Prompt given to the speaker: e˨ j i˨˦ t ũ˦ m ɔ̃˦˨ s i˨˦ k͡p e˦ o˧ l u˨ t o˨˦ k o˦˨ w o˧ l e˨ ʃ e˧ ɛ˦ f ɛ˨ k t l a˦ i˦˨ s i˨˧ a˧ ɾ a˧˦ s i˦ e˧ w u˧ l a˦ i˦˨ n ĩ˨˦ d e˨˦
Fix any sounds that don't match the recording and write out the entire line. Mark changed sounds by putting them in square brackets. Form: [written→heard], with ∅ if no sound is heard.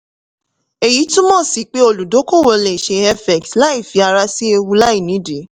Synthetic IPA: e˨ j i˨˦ t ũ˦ m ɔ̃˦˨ s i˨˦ k͡p e˦ o˧ l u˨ [t→d] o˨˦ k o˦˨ w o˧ l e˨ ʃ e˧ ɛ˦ f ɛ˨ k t l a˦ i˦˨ [s→f] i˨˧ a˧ ɾ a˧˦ s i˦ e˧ w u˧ l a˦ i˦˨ n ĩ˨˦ d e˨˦